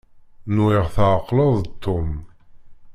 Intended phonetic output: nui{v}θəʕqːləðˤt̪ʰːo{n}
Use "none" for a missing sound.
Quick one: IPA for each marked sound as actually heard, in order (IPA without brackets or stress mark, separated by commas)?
ʁ, m